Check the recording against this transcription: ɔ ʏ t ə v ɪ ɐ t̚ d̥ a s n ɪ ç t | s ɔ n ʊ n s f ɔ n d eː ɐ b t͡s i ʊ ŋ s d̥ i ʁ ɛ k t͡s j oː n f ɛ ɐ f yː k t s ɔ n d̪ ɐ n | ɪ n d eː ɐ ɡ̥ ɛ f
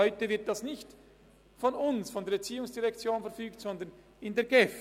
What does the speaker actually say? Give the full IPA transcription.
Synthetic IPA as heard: ɔ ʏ t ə v ɪ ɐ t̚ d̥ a s n ɪ ç t | f ɔ n ʊ n s f ɔ n d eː ɐ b t͡s iː ʊ ŋ s d̥ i ʁ ɛ k t͡s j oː n f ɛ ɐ f yː k t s ɔ n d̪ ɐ n | ɪ n d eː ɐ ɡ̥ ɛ f